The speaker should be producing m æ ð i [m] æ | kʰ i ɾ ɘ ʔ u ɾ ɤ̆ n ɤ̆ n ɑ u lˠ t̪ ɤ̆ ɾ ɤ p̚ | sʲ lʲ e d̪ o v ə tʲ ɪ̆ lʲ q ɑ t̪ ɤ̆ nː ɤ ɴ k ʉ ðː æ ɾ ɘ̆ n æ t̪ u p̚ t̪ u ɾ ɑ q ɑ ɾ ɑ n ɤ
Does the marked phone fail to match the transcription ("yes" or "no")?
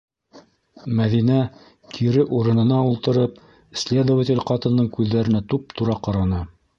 yes